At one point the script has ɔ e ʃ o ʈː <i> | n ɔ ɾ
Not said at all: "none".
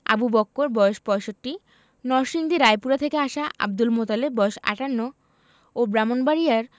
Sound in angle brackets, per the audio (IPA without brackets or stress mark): i